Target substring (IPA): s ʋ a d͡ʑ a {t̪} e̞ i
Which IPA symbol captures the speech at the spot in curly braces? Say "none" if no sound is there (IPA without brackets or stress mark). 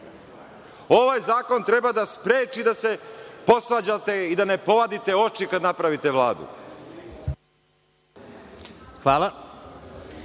t̪